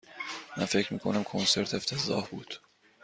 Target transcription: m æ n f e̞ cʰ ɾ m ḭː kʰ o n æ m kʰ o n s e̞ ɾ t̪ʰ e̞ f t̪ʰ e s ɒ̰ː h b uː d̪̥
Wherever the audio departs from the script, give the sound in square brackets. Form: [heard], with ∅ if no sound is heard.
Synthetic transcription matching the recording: m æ n f e̞ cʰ ɾ m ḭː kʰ o n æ m kʰ o n s e̞ ɾ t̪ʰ e̞ f t̪ʰ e [z] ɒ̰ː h b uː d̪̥